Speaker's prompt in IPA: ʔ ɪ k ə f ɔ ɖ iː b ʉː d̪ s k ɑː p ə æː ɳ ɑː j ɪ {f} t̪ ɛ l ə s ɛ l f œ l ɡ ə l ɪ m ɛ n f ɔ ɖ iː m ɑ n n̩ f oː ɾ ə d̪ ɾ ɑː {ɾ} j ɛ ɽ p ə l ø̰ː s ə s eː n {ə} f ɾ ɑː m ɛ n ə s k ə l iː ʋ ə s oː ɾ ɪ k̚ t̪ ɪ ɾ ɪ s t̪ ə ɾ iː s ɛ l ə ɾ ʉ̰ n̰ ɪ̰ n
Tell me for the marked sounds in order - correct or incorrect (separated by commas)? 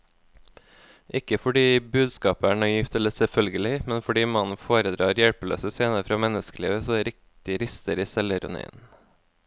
correct, correct, correct